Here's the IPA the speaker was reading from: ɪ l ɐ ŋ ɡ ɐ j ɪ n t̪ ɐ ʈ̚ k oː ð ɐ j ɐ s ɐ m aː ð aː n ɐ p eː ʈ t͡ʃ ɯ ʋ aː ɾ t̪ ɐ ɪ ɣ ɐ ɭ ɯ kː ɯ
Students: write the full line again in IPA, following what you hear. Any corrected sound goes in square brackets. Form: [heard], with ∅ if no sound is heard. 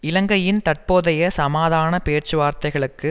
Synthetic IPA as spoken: ɪ l ɐ ŋ ɡ ɐ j ɪ n t̪ ɐ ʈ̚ [p] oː ð ɐ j ɐ s ɐ m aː ð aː n ɐ p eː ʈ t͡ʃ ɯ ʋ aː ɾ t̪ ɐ ɪ ɣ ɐ ɭ ɯ kː ɯ

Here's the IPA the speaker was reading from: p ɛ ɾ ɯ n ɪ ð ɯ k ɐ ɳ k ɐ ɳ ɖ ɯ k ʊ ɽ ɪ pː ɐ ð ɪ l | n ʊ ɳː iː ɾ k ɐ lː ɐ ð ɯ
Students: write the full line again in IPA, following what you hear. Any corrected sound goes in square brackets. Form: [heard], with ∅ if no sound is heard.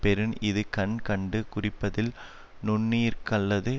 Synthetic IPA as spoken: p ɛ ɾ ɯ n ɪ ð ɯ k ɐ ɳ k ɐ ɳ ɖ ɯ k ʊ [r] ɪ pː ɐ ð ɪ l | n ʊ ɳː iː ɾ k ɐ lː ɐ ð ɯ

